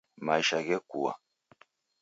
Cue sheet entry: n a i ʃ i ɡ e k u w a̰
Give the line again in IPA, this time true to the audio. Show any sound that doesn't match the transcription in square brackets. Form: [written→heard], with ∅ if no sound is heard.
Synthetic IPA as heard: [n→m] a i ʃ [i→a] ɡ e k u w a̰